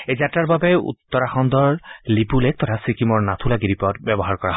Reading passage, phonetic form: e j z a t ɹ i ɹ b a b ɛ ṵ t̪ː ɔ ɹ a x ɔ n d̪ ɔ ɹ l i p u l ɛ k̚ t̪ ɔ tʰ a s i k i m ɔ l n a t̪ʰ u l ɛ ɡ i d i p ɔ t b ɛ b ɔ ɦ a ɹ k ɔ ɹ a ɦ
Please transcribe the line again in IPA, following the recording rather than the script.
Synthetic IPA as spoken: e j z a t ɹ a ɹ b a b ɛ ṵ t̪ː ɔ ɹ a x ɔ n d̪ ɔ ɹ l i p u l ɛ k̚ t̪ ɔ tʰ a s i k i m ɔ ɹ n a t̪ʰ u l a ɡ i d i p ɔ t b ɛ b ɔ ɦ a ɹ k ɔ ɹ a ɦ